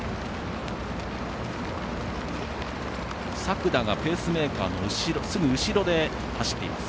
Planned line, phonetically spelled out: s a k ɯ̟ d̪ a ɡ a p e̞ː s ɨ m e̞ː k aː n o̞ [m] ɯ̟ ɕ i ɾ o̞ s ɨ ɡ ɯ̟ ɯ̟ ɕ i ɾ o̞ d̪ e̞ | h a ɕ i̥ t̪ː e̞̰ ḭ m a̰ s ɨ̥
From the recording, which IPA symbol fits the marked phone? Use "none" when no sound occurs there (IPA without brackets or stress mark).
none